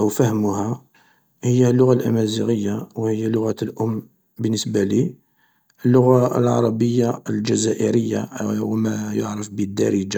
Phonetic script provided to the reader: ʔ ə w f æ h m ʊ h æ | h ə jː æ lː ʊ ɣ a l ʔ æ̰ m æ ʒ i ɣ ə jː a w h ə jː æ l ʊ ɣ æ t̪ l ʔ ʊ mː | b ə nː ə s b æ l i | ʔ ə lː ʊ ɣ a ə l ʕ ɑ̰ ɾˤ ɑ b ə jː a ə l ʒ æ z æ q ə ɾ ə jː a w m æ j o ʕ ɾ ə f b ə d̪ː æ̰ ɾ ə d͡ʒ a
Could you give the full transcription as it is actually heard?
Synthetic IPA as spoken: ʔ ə w f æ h m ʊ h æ | h ə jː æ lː ʊ ɣ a l ʔ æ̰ m æ z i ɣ ə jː a w h ə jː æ l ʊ ɣ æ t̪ l ʔ ʊ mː | b ə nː ə s b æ l i | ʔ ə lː ʊ ɣ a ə l ʕ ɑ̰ ɾˤ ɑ b ə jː a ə l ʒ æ z æ ʔ ə ɾ ə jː a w m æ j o ʕ ɾ ə f b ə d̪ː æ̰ ɾ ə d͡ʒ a

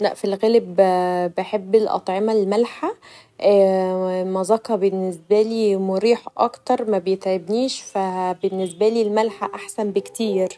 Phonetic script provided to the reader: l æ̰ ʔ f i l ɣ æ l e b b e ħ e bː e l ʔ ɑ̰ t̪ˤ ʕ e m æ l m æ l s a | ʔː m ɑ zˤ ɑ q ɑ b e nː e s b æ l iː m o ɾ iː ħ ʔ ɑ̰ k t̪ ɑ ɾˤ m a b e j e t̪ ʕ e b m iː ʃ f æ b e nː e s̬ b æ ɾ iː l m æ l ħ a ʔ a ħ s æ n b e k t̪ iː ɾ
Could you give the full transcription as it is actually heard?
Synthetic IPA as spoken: l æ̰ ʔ f i l ɣ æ l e b b e ħ e bː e l ʔ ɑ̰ t̪ˤ ʕ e m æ l m æ l ħ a | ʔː m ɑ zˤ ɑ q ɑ b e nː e s b æ l iː m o ɾ iː ħ ʔ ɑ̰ k t̪ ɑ ɾˤ m æ b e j e t̪ ʕ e b n iː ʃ f æ b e nː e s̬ b æ l iː l m æ l ħ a ʔ a ħ s æ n b e k t̪ iː ɾ

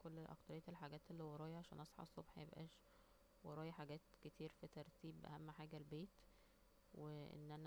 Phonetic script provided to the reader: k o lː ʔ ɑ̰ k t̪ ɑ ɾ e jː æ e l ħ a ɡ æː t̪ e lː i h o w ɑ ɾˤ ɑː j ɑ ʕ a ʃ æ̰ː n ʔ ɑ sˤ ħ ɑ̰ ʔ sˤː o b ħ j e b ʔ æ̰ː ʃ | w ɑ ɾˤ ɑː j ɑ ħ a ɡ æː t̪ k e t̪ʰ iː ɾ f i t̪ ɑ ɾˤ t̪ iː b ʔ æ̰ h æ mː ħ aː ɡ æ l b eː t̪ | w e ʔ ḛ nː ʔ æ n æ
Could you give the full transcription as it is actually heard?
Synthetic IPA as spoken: k o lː ʔ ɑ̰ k t̪ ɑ ɾ e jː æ e l ħ a ɡ æː t̪ e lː i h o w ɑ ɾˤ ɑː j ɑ ʕ a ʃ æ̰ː n ʔ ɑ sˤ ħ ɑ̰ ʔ sˤː o b ħ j e b ʔ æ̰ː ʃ | w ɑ ɾˤ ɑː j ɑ ħ a ɡ æː t̪ k e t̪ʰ iː ɾ f i t̪ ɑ ɾˤ t̪ iː b ʔ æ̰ h æ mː ħ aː ɡ æ l b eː t̪ | w e ʔ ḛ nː ʔ æ n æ

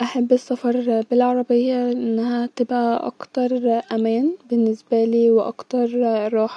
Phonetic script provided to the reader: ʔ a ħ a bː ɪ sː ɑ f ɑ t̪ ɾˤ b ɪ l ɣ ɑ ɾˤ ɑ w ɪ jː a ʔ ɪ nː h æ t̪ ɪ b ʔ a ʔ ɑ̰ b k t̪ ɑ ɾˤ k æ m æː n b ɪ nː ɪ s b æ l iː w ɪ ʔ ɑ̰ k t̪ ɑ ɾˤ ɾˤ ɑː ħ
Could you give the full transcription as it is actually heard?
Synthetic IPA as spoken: ʔ a ħ a bː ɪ sː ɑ f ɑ ɾˤ b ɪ l ʕ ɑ ɾˤ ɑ b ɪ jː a ʔ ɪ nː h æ t̪ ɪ b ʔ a ʔ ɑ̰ k t̪ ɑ ɾˤ ʔ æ m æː n b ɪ nː ɪ s b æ l iː w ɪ ʔ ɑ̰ k t̪ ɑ ɾˤ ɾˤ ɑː ħ

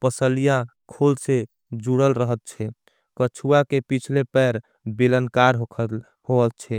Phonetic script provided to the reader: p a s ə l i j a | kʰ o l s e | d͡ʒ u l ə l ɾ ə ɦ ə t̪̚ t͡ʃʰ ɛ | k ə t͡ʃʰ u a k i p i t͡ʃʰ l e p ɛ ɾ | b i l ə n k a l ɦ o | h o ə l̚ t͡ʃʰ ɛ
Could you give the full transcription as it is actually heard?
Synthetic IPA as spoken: p ə s ə l i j a | kʰ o l s e | d͡ʒ u ɽ ə l ɾ ə ɦ ə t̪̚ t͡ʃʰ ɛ | k ə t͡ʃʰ u a k e p i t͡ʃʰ l e p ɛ ɾ | b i l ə n k a ɾ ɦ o | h o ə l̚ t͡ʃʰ ɛ

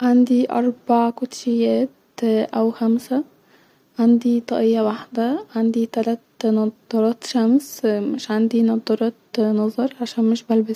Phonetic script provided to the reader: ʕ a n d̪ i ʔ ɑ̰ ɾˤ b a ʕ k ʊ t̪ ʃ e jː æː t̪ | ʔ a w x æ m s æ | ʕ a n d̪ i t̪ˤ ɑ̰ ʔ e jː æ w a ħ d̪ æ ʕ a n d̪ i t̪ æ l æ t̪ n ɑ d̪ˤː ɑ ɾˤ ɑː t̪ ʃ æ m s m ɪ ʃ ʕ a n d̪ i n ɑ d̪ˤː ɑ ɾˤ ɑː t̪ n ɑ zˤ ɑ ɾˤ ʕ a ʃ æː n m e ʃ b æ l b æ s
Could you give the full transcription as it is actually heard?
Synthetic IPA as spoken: ʕ a n d̪ i ʔ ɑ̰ ɾˤ b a ʕ k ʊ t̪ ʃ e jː æː t̪ | ʔ æ w x æ m s æ | ʕ a n d̪ i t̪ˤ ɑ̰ ʔ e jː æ w a ħ d̪ æ ʕ a n d̪ i t̪ æ l æ t̪ n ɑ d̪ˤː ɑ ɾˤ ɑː t̪ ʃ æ m s m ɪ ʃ ʕ a n d̪ i n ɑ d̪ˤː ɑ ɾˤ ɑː t̪ n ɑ zˤ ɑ ɾˤ ʕ a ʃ æː n m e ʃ b æ l b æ s

